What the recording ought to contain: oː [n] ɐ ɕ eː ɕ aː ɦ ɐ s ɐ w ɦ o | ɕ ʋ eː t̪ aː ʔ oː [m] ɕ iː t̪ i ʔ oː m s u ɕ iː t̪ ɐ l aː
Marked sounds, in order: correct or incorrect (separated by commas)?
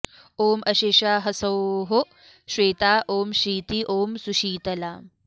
incorrect, correct